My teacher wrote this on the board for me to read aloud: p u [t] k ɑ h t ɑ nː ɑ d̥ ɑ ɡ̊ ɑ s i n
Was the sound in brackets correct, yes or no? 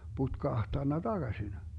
yes